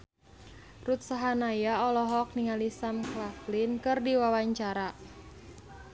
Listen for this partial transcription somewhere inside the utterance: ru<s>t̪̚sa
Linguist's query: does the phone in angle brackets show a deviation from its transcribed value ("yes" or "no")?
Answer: yes